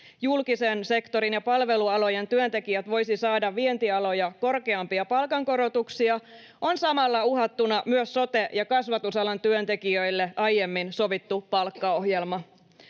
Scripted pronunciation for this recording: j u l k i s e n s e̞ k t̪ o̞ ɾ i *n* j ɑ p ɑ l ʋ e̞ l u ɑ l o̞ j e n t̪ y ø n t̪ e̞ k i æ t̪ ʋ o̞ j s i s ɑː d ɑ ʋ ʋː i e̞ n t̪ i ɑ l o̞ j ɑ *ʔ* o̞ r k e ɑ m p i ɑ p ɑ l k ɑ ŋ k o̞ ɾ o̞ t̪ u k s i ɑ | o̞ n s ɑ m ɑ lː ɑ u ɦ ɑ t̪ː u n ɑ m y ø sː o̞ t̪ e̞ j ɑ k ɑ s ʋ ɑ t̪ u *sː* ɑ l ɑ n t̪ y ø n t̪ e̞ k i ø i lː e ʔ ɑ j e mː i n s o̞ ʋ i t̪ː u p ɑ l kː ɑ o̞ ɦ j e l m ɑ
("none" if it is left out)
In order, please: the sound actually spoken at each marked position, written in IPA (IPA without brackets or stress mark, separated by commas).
n, k, s